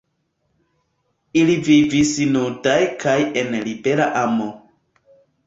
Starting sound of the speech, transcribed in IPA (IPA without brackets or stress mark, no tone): i